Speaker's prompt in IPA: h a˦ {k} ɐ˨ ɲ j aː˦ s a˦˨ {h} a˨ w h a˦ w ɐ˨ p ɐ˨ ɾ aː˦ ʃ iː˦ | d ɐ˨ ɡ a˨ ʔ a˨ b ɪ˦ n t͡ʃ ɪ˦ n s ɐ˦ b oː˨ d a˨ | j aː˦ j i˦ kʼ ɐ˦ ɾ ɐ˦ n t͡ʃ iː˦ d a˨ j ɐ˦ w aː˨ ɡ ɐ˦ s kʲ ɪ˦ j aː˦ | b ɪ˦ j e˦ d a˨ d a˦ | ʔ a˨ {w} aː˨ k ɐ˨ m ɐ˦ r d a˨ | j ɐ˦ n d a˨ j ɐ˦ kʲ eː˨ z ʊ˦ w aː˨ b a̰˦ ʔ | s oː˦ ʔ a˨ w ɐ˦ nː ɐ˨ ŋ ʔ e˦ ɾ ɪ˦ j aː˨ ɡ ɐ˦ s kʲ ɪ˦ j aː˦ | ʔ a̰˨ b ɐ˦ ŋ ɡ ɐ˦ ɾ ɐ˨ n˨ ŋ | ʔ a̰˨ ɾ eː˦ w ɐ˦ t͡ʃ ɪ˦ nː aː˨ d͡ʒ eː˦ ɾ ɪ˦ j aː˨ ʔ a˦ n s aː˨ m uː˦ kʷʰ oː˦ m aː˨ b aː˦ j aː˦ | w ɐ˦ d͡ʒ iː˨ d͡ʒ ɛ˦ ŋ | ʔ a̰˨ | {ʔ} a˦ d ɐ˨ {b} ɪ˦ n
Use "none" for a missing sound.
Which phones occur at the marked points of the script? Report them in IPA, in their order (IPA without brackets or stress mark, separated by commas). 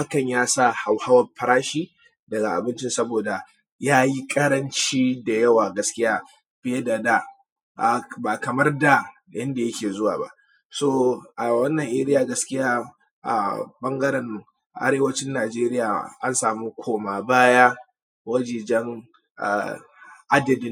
k, h, b, ʔ, d